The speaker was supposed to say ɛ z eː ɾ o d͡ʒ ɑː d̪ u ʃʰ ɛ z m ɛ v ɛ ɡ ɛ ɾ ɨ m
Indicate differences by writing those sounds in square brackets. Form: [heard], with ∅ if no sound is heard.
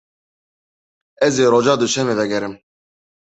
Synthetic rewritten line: ɛ z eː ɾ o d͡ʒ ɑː d̪ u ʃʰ ɛ [∅] m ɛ v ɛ ɡ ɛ ɾ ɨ m